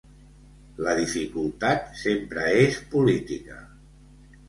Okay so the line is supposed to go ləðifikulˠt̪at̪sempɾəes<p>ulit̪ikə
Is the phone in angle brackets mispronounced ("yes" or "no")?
no